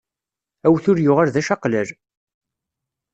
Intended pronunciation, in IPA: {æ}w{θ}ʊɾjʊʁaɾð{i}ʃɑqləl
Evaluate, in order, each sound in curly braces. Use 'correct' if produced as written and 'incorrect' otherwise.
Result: correct, correct, incorrect

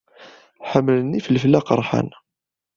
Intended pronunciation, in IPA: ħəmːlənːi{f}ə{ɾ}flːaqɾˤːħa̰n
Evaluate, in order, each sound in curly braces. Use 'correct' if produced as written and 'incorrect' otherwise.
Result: correct, incorrect

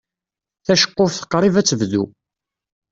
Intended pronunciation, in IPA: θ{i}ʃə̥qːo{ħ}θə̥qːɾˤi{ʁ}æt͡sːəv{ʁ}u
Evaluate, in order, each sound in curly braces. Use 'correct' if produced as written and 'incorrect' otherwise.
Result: incorrect, incorrect, incorrect, incorrect

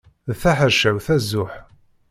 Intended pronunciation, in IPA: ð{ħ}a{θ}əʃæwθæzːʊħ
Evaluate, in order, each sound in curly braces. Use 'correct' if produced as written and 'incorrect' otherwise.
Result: incorrect, incorrect

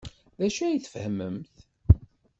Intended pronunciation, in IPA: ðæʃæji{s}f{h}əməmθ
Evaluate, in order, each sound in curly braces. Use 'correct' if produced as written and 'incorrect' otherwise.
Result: incorrect, correct

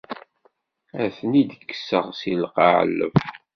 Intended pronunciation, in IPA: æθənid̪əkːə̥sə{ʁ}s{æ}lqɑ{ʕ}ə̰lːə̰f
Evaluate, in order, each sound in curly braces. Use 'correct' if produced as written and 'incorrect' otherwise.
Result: correct, incorrect, correct

